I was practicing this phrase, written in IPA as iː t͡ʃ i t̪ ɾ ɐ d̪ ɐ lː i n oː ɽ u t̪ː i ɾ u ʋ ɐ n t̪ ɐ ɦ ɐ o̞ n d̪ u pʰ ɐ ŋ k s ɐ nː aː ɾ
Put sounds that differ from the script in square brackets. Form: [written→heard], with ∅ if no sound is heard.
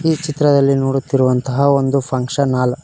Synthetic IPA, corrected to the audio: iː t͡ʃ i t̪ ɾ ɐ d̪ ɐ lː i n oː ɽ u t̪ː i ɾ u ʋ ɐ n t̪ ɐ ɦ ɐ o̞ n d̪ u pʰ ɐ ŋ k [s→ʂ] ɐ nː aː [ɾ→l]